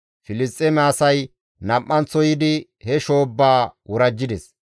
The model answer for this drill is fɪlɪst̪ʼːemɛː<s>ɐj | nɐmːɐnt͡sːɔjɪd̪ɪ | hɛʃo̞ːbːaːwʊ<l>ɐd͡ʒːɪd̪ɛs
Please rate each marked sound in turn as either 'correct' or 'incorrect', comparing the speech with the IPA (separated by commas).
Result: correct, incorrect